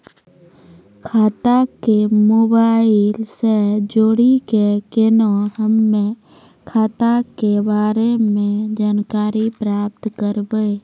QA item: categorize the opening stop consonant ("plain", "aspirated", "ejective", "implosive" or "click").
aspirated